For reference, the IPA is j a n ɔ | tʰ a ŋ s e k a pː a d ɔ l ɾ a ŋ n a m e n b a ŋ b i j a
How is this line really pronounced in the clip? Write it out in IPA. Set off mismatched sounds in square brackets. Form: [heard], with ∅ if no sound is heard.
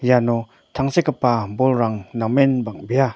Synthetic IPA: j a n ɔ | tʰ a ŋ s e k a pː a [b] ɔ l ɾ a ŋ n a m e n b a ŋ b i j a